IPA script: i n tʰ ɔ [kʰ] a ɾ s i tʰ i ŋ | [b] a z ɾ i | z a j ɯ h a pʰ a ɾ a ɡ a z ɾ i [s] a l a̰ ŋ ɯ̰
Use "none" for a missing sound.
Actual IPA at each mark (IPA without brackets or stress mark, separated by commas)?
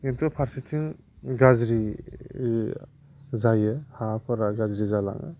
pʰ, ɡ, z